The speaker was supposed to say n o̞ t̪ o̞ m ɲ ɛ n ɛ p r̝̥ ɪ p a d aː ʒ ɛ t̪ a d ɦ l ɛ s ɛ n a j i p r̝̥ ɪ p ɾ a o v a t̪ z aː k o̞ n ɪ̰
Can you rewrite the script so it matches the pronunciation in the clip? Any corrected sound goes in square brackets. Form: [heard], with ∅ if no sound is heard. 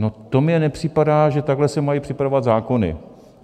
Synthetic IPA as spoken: n o̞ t̪ o̞ m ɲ ɛ n ɛ p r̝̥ ɪ p a d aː ʒ ɛ t̪ a [ɡ] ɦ l ɛ s ɛ [m] a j i p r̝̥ ɪ p ɾ a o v a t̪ z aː k o̞ n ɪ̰